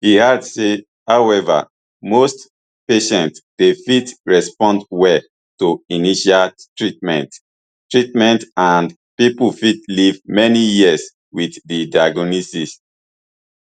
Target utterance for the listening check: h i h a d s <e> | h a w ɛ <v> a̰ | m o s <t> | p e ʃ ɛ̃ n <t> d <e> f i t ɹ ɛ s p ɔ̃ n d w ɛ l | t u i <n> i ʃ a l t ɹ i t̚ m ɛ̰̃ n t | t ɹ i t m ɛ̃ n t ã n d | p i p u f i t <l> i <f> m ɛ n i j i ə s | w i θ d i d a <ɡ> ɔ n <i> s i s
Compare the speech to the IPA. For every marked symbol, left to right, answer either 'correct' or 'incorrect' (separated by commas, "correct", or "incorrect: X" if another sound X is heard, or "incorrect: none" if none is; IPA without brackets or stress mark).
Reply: correct, correct, correct, correct, correct, correct, correct, incorrect: v, correct, correct